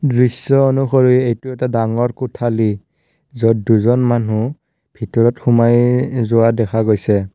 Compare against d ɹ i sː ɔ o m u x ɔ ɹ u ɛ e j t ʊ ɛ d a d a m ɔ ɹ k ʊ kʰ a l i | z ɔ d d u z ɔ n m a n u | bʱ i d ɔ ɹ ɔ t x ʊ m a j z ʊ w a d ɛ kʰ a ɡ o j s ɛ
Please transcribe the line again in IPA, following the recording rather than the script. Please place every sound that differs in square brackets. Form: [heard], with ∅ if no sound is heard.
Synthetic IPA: d ɹ i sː ɔ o [n] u x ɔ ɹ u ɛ e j t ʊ ɛ [t] a d a [ŋ] ɔ ɹ k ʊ [tʰ] a l i | z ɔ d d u z ɔ n m a n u | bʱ i [t] ɔ ɹ ɔ t x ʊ m a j z ʊ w a d ɛ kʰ a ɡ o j s ɛ